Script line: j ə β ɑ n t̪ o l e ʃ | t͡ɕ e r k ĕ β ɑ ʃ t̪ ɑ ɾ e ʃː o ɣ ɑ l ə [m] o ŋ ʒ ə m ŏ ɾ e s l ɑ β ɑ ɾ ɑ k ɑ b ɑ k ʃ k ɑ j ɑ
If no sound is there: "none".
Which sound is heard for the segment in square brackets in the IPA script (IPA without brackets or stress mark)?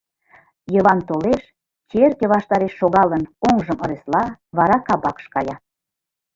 n